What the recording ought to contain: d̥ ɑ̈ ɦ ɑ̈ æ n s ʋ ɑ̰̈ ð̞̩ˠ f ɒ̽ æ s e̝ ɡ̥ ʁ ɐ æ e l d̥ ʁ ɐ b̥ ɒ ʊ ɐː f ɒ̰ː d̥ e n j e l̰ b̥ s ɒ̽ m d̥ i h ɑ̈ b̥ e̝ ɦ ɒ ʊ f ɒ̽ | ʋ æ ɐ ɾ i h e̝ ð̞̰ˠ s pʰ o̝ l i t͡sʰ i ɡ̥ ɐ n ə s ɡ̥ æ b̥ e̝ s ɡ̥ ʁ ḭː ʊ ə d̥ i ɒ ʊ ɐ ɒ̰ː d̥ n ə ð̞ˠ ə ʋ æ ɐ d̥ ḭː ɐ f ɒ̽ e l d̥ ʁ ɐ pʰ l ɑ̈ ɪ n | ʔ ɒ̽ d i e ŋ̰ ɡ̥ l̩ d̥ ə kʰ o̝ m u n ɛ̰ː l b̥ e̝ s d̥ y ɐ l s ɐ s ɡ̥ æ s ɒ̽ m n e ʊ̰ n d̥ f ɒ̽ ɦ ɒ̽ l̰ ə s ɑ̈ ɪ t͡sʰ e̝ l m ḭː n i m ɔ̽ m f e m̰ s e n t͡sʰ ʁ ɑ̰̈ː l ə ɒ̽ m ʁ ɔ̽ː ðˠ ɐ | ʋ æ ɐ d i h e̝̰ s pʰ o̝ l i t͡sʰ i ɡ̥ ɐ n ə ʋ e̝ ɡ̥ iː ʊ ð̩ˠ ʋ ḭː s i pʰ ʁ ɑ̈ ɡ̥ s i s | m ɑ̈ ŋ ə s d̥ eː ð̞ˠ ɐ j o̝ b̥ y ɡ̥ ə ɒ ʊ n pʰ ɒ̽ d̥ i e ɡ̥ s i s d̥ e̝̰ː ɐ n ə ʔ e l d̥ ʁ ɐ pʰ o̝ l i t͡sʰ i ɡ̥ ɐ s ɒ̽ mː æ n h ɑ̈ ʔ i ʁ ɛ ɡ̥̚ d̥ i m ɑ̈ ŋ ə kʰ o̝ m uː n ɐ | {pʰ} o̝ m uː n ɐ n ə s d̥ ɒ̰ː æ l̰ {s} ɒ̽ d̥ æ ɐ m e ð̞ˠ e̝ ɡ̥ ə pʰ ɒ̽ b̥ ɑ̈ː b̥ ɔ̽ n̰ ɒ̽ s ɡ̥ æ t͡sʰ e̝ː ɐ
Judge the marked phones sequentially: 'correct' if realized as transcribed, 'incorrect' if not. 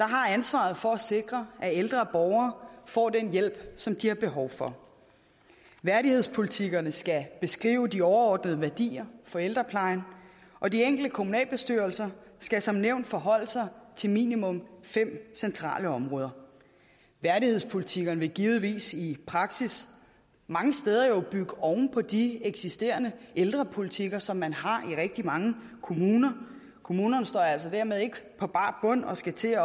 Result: incorrect, correct

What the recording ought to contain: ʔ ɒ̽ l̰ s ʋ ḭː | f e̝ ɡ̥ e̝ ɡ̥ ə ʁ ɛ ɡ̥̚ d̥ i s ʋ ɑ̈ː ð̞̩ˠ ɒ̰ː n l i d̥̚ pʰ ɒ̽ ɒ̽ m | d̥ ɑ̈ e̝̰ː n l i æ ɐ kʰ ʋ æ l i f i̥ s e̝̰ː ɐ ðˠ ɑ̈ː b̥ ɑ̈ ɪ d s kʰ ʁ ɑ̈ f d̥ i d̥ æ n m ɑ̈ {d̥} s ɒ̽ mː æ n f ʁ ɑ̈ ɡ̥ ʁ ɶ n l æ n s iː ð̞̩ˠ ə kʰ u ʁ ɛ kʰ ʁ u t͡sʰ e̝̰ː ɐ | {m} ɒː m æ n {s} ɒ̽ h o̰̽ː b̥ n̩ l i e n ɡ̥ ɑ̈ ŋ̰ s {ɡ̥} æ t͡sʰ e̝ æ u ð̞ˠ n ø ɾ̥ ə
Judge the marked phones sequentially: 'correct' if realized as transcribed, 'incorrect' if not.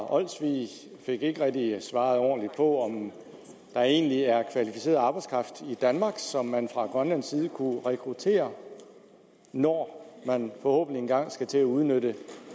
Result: incorrect, incorrect, incorrect, correct

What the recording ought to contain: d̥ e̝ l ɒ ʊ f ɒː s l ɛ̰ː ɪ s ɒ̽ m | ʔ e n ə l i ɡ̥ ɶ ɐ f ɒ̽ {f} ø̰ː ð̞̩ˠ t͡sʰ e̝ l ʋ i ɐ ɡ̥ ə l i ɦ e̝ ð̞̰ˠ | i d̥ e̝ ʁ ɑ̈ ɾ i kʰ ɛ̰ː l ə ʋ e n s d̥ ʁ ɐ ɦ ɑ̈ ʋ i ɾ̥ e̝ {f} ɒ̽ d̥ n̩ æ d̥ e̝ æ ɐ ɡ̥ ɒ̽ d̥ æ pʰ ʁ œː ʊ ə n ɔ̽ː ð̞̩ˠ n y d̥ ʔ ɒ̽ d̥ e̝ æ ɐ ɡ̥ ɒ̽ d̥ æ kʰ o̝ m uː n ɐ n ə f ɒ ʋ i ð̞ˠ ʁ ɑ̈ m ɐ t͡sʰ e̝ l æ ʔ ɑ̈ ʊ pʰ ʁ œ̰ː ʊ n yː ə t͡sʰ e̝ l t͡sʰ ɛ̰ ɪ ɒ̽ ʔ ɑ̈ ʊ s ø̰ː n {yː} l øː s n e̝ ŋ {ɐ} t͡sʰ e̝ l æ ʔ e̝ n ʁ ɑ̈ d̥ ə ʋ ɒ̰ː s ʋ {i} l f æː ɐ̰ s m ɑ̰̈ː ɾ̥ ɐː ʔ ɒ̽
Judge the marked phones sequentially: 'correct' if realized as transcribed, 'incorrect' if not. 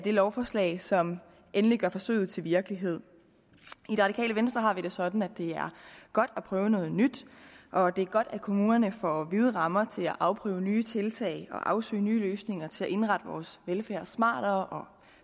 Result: incorrect, incorrect, correct, correct, incorrect

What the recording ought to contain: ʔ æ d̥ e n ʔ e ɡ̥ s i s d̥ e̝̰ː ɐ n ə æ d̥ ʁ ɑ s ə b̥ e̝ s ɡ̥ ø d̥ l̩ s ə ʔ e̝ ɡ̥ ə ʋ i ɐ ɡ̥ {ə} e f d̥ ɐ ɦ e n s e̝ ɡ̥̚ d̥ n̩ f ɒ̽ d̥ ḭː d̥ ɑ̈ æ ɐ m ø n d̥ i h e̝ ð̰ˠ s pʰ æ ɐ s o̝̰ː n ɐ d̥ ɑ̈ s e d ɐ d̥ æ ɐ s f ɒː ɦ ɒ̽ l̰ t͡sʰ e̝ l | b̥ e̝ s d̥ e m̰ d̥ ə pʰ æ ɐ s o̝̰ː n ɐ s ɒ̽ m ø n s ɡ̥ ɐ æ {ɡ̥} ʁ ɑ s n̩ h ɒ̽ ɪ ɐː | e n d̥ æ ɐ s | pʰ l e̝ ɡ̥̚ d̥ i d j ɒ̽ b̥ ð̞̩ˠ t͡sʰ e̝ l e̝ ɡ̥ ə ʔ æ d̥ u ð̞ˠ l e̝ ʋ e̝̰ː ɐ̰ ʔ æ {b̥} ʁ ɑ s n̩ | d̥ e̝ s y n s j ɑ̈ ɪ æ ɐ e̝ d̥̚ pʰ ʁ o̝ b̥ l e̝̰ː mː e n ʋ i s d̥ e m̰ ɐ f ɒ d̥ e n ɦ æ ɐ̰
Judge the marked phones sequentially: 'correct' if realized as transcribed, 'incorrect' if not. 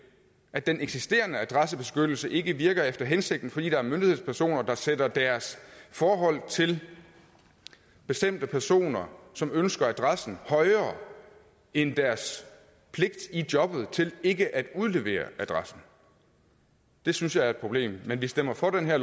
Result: incorrect, incorrect, incorrect

